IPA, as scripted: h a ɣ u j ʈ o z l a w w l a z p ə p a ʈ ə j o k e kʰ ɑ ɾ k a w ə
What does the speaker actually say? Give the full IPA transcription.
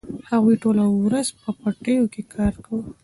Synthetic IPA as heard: h a ɣ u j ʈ o l a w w ɾ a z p ə p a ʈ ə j o k e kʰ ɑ ɾ k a w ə